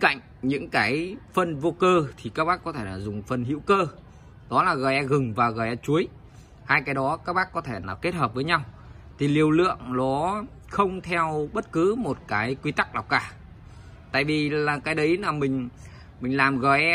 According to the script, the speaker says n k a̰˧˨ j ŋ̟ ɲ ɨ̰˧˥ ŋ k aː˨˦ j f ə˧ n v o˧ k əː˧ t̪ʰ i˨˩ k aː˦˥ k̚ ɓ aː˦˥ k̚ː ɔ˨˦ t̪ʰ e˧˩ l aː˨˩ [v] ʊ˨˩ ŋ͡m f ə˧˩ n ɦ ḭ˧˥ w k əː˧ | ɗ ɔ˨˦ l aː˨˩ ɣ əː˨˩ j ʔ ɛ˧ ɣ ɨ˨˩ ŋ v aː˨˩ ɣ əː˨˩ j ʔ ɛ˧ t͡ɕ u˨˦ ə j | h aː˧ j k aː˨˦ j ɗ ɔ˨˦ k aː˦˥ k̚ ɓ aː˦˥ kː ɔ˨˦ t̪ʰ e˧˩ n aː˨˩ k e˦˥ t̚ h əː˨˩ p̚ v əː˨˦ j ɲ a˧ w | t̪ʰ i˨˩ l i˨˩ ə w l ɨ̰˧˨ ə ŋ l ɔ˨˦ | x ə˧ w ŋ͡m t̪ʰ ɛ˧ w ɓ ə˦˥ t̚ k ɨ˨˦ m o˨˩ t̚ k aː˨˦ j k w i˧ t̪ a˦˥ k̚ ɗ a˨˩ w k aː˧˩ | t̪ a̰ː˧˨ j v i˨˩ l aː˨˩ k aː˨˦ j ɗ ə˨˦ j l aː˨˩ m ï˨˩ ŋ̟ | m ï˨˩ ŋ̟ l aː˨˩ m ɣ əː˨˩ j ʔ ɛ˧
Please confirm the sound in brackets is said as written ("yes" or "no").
no